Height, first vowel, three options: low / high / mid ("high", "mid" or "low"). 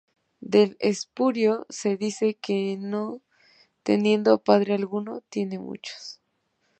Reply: mid